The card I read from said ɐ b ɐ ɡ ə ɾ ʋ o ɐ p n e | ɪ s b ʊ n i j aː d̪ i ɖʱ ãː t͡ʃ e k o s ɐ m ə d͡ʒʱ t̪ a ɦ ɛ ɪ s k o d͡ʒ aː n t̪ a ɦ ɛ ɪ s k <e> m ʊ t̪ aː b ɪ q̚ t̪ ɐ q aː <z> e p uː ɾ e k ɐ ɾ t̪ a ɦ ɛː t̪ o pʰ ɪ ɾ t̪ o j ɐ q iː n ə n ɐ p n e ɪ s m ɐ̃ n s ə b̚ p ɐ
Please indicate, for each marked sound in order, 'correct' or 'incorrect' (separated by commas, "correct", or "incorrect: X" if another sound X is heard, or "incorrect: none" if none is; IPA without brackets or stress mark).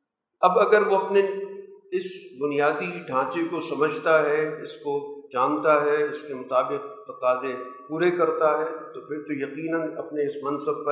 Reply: correct, correct